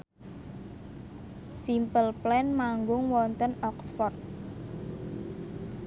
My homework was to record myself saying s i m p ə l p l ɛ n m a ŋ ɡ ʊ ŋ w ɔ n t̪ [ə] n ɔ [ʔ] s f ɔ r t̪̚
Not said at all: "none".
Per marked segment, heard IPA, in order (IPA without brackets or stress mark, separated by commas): ə, k